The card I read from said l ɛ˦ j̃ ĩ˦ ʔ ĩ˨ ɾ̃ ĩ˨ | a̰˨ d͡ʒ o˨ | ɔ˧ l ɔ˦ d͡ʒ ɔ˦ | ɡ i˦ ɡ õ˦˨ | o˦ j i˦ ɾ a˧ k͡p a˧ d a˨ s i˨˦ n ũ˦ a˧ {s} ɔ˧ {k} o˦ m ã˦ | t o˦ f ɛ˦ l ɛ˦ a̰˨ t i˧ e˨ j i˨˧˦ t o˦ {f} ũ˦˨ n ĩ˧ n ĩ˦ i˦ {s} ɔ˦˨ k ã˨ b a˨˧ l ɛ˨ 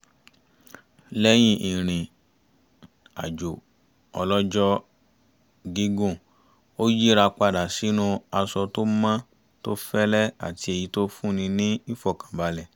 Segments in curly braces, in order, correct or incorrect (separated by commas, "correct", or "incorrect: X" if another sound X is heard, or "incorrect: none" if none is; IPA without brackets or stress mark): correct, incorrect: t, correct, incorrect: f